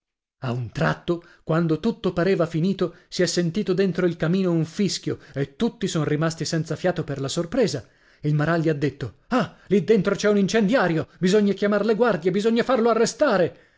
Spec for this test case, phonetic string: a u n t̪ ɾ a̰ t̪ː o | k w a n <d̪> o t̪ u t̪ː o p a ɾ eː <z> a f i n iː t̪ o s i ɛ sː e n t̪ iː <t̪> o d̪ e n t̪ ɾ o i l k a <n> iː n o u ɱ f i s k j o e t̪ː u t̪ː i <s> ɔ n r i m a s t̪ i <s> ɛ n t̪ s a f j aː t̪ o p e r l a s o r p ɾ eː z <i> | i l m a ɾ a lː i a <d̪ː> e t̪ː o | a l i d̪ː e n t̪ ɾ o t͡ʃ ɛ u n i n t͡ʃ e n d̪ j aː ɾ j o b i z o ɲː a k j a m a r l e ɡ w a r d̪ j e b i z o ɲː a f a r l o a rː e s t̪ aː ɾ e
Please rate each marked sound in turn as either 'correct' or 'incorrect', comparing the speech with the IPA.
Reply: correct, incorrect: v, correct, incorrect: m, correct, correct, incorrect: a, correct

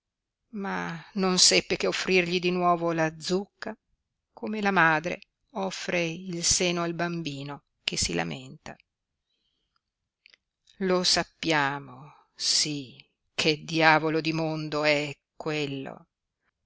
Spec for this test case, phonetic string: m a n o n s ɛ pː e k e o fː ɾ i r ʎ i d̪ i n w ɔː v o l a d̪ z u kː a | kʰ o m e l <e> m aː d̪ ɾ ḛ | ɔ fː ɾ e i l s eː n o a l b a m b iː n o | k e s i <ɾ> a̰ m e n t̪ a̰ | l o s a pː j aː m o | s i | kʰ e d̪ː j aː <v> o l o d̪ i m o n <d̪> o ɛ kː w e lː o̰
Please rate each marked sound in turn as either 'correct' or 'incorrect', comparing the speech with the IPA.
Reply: incorrect: a, incorrect: l, correct, correct

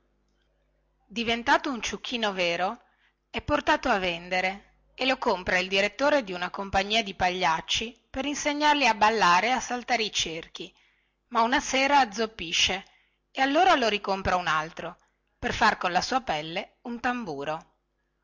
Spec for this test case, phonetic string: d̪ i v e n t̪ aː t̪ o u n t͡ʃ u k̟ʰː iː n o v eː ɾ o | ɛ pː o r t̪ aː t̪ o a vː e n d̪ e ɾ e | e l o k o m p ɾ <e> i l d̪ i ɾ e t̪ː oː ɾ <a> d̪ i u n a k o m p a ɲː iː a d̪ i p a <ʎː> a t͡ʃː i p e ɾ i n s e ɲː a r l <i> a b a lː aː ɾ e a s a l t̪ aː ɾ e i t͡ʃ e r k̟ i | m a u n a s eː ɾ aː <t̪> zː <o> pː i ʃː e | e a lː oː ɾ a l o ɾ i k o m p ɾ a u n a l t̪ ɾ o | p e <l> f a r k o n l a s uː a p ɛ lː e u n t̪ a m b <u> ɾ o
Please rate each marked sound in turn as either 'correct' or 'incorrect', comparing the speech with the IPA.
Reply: incorrect: a, incorrect: e, correct, correct, incorrect: d̪, correct, incorrect: r, incorrect: uː

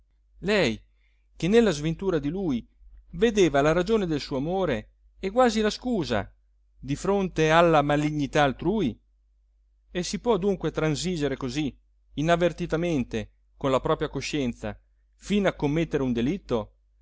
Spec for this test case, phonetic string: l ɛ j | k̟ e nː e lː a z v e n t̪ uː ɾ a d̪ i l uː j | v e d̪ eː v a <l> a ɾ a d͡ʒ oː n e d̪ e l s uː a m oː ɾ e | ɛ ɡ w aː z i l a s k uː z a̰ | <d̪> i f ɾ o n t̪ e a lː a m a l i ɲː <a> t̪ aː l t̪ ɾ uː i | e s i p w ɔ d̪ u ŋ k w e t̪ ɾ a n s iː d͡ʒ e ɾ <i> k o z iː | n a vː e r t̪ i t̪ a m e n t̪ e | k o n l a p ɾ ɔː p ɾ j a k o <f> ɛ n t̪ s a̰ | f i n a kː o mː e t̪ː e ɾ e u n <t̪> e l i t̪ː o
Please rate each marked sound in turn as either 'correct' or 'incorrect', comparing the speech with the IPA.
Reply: correct, correct, incorrect: i, incorrect: e, incorrect: ʃ, incorrect: d̪

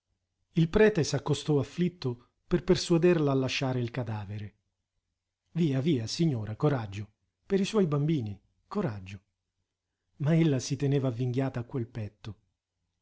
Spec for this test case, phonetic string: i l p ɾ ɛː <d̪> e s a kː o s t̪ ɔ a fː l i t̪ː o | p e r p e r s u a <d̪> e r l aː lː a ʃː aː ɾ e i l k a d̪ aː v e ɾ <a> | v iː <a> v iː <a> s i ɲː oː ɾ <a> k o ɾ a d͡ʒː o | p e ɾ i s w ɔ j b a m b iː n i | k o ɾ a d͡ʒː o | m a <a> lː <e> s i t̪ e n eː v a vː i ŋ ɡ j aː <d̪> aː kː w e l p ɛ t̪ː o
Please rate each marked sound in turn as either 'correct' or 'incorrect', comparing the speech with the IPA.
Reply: incorrect: t̪, correct, incorrect: e, correct, correct, correct, incorrect: e, incorrect: a, incorrect: t̪

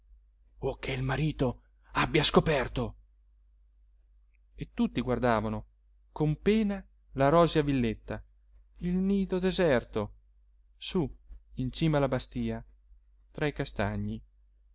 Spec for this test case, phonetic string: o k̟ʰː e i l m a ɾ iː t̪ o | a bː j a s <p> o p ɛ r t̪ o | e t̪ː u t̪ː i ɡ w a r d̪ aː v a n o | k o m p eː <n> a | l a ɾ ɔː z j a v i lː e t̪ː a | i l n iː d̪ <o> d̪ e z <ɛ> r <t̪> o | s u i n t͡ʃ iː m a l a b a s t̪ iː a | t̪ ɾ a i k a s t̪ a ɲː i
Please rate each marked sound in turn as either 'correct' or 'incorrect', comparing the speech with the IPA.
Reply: incorrect: k, correct, correct, correct, correct

